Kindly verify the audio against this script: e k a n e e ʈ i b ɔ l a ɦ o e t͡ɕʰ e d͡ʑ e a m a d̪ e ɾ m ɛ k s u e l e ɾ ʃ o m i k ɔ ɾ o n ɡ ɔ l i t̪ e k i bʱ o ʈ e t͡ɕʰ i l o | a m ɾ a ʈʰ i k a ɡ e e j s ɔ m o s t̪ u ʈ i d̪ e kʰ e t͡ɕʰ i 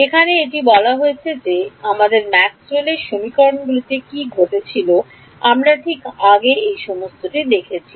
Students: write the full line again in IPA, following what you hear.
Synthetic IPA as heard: e kʰ a n e e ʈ i b ɔ l a ɦ o e t͡ɕʰ e d͡ʑ e a m a d̪ e ɾ m ɛ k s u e l e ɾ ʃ o m i k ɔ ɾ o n ɡ u l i t̪ e k i ɡʱ o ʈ e t͡ɕʰ i l o | a m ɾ a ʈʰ i k a ɡ e e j ʃ ɔ m o s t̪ o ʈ i d̪ e kʰ e t͡ɕʰ i

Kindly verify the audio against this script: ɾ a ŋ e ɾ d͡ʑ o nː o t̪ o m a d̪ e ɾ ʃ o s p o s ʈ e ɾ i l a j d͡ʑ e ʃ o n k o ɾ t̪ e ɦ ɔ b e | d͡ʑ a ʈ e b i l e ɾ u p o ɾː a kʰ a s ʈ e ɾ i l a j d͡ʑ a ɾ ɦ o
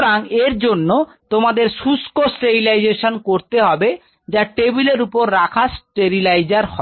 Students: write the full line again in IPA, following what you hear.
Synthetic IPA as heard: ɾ a ŋ e ɾ d͡ʑ o nː o t̪ o m a d̪ e ɾ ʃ u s k o s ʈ e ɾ i l a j d͡ʑ e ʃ o n k o ɾ t̪ e ɦ ɔ b e | d͡ʑ a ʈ e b i l e ɾ u p o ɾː a kʰ a s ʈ e ɾ i l a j d͡ʑ a ɾ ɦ ɔ

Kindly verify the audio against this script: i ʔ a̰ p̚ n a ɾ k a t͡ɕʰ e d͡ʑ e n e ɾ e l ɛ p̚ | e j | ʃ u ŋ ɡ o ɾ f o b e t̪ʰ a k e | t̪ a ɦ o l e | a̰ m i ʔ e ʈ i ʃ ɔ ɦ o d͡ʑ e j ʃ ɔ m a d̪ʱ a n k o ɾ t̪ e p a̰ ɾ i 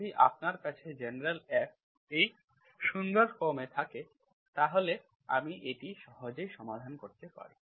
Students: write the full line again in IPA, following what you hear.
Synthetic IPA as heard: i ʔ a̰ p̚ n a ɾ k a t͡ɕʰ e d͡ʑ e n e ɾ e l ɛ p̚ | e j | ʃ u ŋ ɡ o ɾ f o m e t̪ʰ a k e | t̪ a ɦ o l e | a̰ m i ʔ e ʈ i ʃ ɔ ɦ o d͡ʑ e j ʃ ɔ m a d̪ʱ a n k o ɾ t̪ e p a̰ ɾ i

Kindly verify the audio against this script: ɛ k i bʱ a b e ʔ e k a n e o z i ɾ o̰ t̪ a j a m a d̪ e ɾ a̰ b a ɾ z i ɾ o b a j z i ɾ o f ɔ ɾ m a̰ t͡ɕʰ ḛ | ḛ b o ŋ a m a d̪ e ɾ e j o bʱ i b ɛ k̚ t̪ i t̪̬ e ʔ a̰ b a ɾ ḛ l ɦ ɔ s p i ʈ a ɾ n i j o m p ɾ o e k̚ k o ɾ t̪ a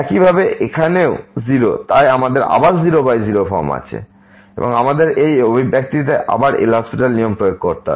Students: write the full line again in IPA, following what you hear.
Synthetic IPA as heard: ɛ k i bʱ a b e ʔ e kʰ a n e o z i ɾ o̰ t̪ a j a m a d̪ e ɾ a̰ b a ɾ z i ɾ o b a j z i ɾ o f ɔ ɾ m a̰ t͡ɕʰ ḛ | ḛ b o ŋ a m a d̪ e ɾ e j o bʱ i b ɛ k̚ t̪ i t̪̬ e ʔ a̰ b a ɾ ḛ l ɦ ɔ s p i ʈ a l n i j o m p ɾ o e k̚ k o ɾ t̪ a

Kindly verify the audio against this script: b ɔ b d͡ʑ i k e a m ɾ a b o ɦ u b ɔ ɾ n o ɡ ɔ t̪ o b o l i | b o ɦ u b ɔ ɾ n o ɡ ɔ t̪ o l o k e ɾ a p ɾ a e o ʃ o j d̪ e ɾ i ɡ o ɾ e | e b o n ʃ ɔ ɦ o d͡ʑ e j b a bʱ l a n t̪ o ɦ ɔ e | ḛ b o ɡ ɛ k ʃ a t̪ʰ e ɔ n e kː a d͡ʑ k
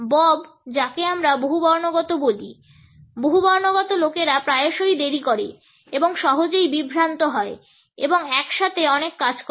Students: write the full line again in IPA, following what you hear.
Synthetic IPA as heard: b ɔ b d͡ʑ a k e a m ɾ a b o ɦ u b ɔ ɾ n o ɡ ɔ t̪ o b o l i | b o ɦ u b ɔ ɾ n o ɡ ɔ t̪ o l o k e ɾ a p ɾ a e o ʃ o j d̪ e ɾ i k o ɾ e | e b o ŋ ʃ ɔ ɦ o d͡ʑ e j b i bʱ ɾ a n t̪ o ɦ ɔ e | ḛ b o ŋ ɛ k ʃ a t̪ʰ e ɔ n e kː a d͡ʑ k

